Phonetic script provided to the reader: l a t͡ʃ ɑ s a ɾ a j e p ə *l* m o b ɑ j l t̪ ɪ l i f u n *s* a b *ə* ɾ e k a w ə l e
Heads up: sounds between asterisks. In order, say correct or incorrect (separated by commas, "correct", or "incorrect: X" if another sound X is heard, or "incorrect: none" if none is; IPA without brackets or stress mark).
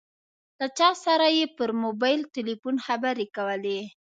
incorrect: ɾ, incorrect: x, incorrect: a